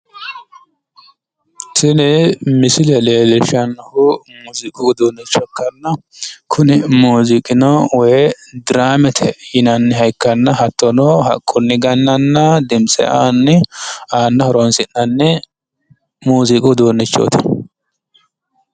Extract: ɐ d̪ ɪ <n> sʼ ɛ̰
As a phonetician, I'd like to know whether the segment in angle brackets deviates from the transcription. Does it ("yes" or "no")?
yes